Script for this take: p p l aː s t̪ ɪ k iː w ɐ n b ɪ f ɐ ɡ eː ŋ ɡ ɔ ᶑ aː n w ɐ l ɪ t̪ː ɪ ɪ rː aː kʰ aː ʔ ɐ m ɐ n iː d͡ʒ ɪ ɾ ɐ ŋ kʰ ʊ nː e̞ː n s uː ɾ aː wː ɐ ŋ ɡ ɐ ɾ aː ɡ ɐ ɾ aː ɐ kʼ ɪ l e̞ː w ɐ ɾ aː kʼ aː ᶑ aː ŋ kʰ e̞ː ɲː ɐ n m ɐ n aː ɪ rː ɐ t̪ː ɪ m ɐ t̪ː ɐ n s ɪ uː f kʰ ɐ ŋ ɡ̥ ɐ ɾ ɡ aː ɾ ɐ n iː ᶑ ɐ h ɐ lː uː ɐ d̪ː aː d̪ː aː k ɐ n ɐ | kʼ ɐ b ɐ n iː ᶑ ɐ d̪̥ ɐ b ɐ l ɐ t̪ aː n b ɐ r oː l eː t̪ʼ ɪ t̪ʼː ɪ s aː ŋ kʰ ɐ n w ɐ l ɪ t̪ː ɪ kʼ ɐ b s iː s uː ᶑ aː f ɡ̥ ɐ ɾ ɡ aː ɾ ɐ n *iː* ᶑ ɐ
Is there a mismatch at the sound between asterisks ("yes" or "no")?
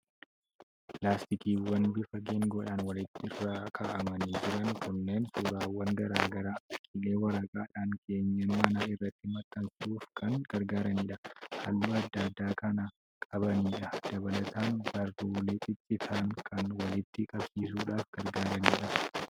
no